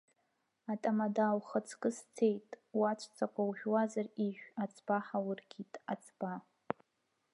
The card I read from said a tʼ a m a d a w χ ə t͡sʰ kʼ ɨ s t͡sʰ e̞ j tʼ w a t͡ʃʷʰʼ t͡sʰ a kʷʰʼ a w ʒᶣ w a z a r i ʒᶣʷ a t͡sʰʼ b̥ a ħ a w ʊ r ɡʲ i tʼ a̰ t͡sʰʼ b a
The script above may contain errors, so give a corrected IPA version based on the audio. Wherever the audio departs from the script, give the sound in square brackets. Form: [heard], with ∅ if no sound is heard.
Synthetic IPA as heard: a tʼ a m a d a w χ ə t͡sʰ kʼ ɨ s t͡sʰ e̞ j tʼ w a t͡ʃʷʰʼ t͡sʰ a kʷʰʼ a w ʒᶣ w a z a r i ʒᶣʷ a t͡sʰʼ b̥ a ħ a w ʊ r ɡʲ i tʼ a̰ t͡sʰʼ b a